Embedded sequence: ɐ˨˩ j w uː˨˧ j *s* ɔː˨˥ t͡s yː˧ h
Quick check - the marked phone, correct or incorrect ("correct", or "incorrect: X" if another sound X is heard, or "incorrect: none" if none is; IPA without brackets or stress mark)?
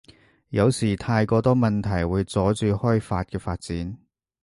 incorrect: t͡s